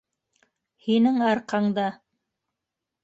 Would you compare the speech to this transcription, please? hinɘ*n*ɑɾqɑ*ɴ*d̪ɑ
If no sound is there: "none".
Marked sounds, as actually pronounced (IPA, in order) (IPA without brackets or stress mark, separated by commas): ŋ, ɴ